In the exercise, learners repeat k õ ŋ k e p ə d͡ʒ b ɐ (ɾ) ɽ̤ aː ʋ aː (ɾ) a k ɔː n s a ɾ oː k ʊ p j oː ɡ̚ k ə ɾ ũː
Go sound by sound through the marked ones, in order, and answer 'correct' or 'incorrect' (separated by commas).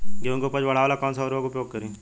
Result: incorrect, incorrect